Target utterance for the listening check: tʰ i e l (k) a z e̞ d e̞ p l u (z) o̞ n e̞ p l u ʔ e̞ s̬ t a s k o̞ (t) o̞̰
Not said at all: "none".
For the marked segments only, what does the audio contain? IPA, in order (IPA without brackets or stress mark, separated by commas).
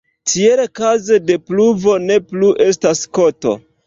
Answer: k, v, t